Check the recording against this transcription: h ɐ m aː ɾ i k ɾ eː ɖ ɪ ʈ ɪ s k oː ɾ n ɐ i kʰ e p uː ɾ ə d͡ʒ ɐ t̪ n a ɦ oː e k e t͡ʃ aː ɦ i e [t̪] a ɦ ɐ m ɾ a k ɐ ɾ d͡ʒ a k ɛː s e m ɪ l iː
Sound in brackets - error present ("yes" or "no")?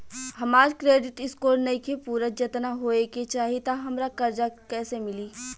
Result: no